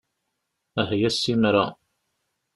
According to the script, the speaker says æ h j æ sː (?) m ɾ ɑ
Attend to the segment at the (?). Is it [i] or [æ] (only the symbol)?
i